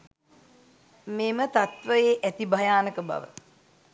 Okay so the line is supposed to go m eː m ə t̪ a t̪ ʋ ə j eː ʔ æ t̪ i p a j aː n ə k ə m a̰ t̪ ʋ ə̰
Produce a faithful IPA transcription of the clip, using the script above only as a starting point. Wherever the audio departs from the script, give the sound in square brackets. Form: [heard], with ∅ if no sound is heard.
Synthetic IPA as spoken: m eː m ə t̪ a t̪ ʋ ə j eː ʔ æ t̪ i [b] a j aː n ə k ə [b] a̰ [∅] ʋ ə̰

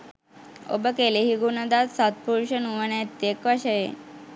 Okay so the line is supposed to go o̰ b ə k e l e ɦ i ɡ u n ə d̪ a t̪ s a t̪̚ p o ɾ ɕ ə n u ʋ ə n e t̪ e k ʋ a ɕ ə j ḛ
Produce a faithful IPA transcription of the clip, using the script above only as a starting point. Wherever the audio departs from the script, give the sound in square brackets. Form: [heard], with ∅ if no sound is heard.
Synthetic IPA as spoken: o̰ b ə k e l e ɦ i ɡ u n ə d̪ a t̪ s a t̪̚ p [u] ɾ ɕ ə n u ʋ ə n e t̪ e k ʋ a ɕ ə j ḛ

